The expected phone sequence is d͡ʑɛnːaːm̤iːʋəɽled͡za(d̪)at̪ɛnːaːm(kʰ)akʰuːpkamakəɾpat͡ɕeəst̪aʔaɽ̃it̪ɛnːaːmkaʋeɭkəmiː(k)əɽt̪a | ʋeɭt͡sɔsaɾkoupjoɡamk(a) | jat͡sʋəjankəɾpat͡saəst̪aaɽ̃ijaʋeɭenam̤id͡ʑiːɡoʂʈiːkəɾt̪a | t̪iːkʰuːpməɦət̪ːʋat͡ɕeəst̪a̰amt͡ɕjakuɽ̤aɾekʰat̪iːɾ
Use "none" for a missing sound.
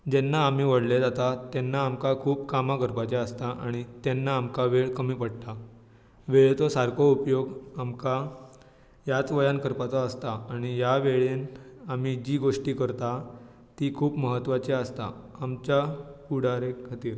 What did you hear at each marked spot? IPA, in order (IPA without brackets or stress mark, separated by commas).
t̪, k, p, a